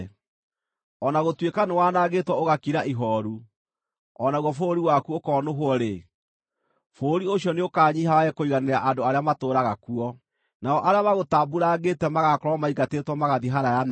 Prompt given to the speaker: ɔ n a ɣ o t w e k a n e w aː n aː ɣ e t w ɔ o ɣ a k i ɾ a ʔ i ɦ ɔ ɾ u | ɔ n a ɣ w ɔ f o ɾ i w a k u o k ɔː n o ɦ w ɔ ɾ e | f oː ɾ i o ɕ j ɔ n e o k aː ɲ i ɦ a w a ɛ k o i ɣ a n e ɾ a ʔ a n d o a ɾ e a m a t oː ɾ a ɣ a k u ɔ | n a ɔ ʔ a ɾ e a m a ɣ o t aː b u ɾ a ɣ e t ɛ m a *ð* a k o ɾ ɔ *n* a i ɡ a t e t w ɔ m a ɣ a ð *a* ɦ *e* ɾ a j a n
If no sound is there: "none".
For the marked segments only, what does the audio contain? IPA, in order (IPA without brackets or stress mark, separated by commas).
ɣ, m, i, a